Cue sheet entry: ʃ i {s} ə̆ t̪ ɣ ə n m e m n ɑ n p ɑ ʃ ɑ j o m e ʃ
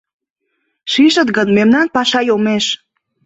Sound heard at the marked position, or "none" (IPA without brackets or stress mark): ʃ